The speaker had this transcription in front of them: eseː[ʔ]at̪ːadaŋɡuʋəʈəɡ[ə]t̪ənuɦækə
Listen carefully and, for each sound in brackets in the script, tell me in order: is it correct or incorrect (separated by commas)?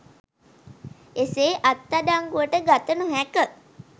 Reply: correct, incorrect